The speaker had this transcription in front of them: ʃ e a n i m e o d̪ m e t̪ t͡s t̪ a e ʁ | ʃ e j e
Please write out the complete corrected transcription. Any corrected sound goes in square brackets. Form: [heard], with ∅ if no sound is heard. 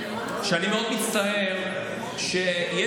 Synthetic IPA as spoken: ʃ e a n i m e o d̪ m [i] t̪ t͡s t̪ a e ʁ | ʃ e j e